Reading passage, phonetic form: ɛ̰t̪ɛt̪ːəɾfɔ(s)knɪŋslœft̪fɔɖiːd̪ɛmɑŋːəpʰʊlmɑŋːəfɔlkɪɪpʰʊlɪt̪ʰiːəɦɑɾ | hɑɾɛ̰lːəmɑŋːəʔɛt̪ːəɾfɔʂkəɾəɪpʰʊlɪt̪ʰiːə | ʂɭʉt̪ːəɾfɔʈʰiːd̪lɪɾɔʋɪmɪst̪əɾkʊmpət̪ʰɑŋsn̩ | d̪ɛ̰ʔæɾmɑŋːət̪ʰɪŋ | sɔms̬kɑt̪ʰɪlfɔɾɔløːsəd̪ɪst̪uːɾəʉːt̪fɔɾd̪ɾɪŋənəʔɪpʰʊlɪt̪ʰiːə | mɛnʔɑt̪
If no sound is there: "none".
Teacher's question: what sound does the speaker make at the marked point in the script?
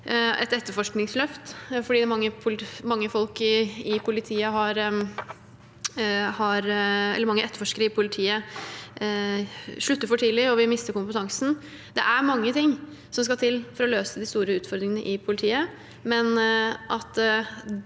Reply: ʂ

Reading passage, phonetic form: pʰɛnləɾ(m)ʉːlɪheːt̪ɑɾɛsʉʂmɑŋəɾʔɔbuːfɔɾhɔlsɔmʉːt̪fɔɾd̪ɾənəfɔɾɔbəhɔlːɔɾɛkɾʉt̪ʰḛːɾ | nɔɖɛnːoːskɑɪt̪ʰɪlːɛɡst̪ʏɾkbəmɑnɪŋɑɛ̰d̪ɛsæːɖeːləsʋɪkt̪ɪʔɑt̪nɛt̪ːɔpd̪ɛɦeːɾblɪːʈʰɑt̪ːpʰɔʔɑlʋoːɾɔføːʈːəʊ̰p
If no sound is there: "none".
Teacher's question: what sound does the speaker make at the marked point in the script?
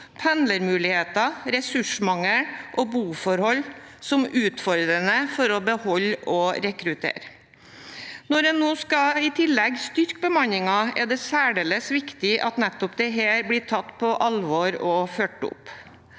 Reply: m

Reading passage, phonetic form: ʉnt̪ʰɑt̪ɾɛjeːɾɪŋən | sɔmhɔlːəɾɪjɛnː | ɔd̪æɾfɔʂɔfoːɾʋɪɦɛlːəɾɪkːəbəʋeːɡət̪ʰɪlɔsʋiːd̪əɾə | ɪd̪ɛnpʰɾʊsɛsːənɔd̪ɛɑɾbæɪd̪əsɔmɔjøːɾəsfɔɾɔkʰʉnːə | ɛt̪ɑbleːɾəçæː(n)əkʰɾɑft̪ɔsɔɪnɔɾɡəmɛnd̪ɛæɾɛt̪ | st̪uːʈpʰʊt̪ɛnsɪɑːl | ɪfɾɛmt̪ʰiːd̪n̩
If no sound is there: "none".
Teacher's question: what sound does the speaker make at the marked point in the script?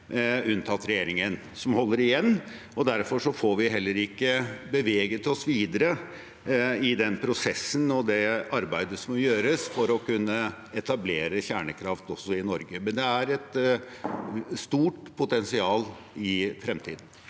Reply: ɳ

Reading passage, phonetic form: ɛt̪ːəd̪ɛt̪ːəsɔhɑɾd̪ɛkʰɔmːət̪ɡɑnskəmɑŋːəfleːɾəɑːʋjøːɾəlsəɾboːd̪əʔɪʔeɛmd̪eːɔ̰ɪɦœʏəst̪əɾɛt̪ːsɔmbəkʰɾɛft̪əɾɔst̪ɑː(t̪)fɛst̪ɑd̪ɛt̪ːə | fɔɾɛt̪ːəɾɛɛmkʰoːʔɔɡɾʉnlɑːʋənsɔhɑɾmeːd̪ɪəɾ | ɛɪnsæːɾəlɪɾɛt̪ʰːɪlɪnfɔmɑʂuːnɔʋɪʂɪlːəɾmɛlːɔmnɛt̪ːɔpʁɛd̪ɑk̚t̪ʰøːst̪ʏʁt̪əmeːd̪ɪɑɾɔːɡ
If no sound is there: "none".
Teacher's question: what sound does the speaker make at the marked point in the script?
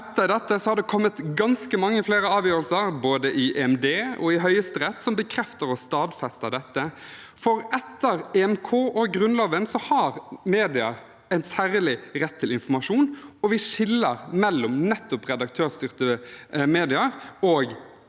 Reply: d̪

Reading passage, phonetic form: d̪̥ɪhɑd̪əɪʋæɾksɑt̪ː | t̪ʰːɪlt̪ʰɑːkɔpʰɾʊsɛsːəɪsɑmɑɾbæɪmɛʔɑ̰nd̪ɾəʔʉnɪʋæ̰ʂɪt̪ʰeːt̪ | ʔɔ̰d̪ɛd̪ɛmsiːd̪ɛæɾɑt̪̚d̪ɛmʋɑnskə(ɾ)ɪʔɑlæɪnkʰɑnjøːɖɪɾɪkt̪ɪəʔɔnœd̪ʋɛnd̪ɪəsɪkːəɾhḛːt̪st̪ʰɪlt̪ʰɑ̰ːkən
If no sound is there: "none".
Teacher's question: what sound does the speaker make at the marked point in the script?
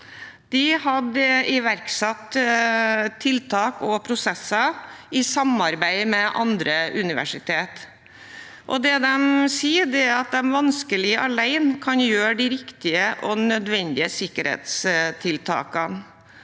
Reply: l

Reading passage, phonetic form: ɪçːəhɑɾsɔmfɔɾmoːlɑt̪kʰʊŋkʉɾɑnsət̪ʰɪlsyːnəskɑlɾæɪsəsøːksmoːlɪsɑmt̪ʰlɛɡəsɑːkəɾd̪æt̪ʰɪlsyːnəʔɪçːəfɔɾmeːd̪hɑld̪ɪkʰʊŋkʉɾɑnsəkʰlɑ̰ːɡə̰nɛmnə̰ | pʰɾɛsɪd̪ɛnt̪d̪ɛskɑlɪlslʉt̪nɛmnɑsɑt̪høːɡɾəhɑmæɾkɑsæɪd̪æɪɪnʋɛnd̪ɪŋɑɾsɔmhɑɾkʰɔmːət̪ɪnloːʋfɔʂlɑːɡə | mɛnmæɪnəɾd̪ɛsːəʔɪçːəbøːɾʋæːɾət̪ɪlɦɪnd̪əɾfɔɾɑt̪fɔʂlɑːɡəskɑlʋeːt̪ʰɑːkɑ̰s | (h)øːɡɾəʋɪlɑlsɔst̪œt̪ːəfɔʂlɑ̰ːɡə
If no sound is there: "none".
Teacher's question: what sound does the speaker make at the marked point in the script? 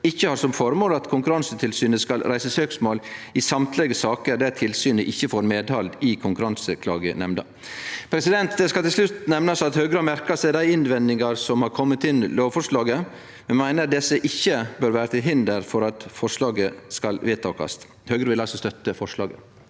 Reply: h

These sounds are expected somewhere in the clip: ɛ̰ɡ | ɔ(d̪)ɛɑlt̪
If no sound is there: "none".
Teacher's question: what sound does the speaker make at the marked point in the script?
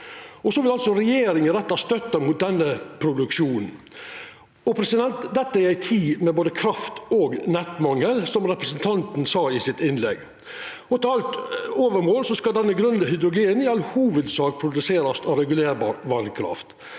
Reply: t̪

